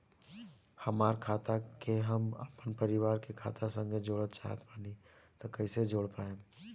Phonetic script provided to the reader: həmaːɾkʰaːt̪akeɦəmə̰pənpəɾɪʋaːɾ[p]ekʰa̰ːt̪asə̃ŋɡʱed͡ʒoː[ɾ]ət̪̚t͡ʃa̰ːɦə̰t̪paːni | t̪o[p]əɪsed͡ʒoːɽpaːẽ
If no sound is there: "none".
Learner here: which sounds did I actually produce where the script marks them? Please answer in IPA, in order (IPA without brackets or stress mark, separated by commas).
k, ɽ, k